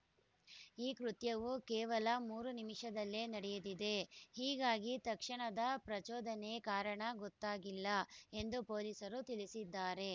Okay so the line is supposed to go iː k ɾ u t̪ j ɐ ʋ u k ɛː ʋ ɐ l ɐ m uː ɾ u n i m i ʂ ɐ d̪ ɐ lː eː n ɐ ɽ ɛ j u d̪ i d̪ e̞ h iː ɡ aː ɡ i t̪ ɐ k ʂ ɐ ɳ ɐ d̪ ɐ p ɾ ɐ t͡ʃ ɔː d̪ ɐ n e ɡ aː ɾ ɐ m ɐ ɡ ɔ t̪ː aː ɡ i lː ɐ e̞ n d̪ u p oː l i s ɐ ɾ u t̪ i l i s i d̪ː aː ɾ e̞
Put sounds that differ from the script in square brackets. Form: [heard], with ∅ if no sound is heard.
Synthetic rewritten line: iː k ɾ u t̪ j ɐ ʋ u k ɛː ʋ ɐ l ɐ m uː ɾ u n i m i ʂ ɐ d̪ ɐ lː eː n ɐ ɽ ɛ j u d̪ i d̪ e̞ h iː ɡ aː ɡ i t̪ ɐ k ʂ ɐ ɳ ɐ d̪ ɐ p ɾ ɐ t͡ʃ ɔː d̪ ɐ n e [k] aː ɾ ɐ [ɳ] ɐ ɡ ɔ t̪ː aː ɡ i lː ɐ e̞ n d̪ u p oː l i s ɐ ɾ u t̪ i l i s i d̪ː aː ɾ e̞